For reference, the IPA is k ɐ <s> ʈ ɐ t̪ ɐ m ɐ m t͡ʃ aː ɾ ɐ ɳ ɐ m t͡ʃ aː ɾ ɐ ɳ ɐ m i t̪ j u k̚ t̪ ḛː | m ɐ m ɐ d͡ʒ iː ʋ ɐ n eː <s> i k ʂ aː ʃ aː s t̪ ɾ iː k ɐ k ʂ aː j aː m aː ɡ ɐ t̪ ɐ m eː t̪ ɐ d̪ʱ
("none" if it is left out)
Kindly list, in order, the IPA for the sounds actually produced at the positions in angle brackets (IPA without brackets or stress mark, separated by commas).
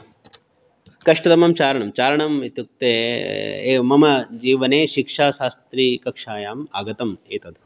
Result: ʂ, ʃ